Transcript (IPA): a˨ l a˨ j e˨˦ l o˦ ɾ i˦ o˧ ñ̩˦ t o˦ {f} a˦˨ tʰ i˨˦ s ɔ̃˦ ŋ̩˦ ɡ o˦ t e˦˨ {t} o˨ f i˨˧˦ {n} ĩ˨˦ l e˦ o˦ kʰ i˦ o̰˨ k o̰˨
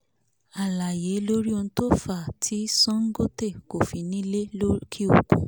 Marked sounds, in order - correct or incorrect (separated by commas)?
correct, incorrect, correct